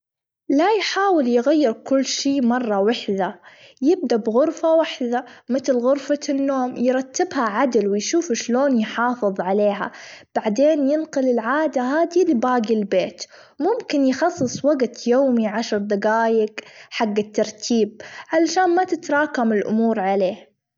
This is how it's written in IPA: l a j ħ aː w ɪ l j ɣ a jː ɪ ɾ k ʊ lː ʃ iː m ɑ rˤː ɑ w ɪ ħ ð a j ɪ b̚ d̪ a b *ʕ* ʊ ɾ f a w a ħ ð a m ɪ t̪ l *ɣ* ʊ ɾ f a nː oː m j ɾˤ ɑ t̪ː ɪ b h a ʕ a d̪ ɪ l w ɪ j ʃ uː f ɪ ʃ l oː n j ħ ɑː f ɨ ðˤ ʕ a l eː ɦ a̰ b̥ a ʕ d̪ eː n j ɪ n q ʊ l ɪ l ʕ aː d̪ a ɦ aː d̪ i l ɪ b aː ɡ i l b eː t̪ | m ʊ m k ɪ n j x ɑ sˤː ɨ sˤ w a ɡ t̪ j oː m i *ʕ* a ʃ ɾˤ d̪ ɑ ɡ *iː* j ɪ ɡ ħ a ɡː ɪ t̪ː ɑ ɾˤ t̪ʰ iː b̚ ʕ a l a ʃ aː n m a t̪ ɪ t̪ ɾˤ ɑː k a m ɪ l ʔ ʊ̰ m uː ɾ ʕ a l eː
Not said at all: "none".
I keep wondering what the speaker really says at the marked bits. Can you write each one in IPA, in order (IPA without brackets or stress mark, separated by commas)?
ɣ, ɣ, ʕ, aː